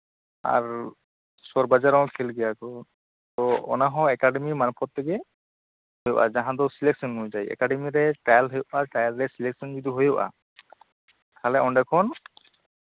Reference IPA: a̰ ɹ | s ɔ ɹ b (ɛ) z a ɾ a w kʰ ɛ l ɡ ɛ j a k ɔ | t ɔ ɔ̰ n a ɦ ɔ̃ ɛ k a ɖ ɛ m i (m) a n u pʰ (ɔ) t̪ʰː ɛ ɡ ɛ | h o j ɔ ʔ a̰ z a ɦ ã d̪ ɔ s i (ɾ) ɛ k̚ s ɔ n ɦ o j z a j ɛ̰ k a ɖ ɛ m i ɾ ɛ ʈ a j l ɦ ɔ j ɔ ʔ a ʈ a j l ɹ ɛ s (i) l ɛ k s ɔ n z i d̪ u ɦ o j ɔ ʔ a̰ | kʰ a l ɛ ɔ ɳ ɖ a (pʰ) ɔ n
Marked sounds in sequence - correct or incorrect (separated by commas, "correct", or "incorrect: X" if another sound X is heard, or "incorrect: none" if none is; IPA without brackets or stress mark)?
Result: incorrect: a, correct, correct, incorrect: l, correct, incorrect: kʰ